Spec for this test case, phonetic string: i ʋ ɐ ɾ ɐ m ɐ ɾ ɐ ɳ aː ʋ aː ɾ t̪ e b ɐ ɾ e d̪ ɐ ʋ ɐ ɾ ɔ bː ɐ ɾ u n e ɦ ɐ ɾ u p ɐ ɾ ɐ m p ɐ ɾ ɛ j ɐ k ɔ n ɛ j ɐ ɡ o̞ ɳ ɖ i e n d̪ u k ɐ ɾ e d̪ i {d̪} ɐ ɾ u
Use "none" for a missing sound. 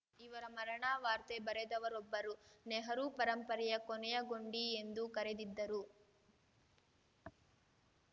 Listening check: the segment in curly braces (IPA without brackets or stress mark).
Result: d̪ː